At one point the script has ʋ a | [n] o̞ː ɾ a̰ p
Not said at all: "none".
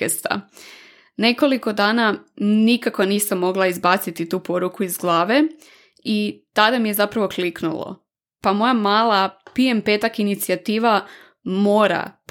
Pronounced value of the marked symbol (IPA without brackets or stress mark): m